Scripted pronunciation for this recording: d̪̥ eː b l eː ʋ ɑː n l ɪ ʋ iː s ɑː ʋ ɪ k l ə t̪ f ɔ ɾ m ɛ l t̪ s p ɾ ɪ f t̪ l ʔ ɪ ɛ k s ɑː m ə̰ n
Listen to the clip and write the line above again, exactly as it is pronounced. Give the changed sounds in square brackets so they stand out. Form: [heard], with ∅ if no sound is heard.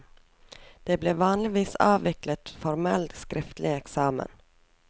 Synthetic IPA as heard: d̪̥ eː b l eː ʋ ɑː n l ɪ ʋ iː s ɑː ʋ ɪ k l ə t̪ f ɔ ɾ m ɛ l t̪ s [k] ɾ ɪ f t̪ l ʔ ɪ ɛ k s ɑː m ə̰ n